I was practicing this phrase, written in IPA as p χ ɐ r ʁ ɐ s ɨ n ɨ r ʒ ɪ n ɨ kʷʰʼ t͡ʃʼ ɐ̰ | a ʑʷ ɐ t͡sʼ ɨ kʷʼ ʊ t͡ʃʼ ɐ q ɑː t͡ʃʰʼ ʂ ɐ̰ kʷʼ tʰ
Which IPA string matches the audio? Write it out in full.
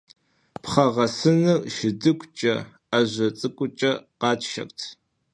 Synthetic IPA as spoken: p χ ɐ ʁ ɐ s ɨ n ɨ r ʃ ɪ d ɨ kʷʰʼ t͡ʃʼ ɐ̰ | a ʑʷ ɐ t͡sʼ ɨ kʷʼ ʊ t͡ʃʼ ɐ q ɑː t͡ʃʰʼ ʃ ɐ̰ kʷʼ tʰ